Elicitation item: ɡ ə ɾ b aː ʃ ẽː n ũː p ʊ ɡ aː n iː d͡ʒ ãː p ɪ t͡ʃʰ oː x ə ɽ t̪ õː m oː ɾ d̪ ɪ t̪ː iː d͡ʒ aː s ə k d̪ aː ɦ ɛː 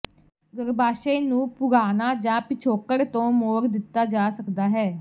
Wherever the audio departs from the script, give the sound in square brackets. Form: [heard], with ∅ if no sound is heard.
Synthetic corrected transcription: ɡ ə ɾ b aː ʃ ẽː n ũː p ʊ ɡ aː n [aː] d͡ʒ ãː p ɪ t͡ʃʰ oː [k] ə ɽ t̪ õː m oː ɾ d̪ ɪ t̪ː [aː] d͡ʒ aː s ə k d̪ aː ɦ ɛː